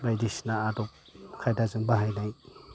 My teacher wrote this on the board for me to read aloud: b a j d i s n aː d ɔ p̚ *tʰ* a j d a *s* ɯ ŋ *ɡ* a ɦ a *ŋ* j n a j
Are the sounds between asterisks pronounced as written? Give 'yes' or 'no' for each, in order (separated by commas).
no, no, no, no